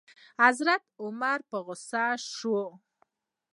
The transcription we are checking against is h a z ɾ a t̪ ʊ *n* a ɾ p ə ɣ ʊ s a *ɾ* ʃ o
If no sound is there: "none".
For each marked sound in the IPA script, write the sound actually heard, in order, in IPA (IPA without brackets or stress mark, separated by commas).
m, none